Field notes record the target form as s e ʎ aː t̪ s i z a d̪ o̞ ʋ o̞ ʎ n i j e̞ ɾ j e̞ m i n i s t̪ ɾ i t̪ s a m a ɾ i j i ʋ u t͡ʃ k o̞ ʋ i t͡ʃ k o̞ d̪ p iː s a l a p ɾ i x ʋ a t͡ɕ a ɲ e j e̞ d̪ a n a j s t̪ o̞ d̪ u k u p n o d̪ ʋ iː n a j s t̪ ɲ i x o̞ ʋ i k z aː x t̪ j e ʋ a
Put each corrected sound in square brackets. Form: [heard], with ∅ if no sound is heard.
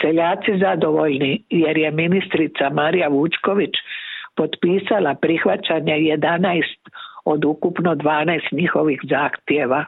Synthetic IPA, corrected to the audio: s e ʎ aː t̪ s i z a d̪ o̞ ʋ o̞ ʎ n i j e̞ ɾ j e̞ m i n i s t̪ ɾ i t̪ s a m a ɾ i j [a] ʋ u t͡ʃ k o̞ ʋ i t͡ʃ [p] o̞ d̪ p iː s a l a p ɾ i x ʋ a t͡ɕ a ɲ e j e̞ d̪ a n a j s t̪ o̞ d̪ u k u p n o d̪ ʋ [aː] n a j s t̪ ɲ i x o̞ ʋ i [x] z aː x t̪ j e ʋ a